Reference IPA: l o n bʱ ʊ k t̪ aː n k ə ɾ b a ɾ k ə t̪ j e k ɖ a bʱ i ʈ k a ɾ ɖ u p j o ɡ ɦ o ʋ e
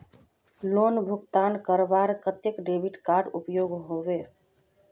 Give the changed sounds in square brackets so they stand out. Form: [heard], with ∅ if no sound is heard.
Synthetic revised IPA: l o n bʱ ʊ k t̪ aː n k ə ɾ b a ɾ k ə t̪ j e k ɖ [e] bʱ i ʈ k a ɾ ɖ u p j o ɡ ɦ o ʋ e